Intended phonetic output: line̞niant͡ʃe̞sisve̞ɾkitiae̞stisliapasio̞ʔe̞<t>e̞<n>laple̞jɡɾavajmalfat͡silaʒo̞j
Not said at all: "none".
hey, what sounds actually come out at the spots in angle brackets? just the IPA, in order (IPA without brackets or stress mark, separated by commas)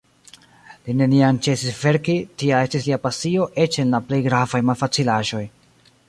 t͡ʃ, n